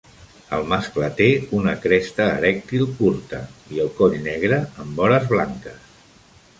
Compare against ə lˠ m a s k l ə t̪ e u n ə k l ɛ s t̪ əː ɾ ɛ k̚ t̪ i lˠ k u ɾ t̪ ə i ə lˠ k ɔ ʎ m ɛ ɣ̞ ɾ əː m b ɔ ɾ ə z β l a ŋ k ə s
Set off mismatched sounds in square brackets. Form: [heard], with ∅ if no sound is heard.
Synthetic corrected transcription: ə lˠ m a s k l ə t̪ e u n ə k [ɾ] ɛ s t̪ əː ɾ ɛ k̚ t̪ i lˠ k u ɾ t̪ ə i ə lˠ k ɔ ʎ [n] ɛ ɣ̞ ɾ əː m b ɔ ɾ ə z β l a ŋ k ə s